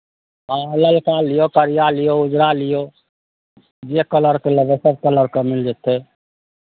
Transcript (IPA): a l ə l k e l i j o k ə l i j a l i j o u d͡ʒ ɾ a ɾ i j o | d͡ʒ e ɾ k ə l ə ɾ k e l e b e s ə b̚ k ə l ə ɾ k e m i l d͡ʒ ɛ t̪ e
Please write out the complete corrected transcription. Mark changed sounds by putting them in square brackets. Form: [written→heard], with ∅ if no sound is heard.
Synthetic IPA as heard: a l ə l k [e→a] l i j o k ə [l→ɾ] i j a l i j o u d͡ʒ ɾ a [ɾ→l] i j o | d͡ʒ e [ɾ→∅] k ə l ə ɾ k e l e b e s ə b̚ k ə l ə ɾ k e m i l d͡ʒ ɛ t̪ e